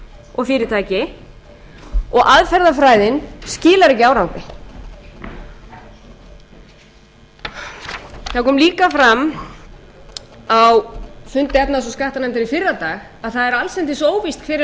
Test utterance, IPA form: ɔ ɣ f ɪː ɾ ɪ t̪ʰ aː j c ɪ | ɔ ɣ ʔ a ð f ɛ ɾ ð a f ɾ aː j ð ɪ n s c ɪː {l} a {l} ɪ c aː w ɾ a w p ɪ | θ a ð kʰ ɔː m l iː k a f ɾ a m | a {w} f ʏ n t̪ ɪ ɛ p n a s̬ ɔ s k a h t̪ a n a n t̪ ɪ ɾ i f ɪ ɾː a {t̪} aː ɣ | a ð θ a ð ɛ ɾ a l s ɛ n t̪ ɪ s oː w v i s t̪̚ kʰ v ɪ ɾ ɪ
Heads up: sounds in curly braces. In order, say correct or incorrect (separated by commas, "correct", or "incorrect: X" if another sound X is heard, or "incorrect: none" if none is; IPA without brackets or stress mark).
correct, incorrect: ɾ, correct, correct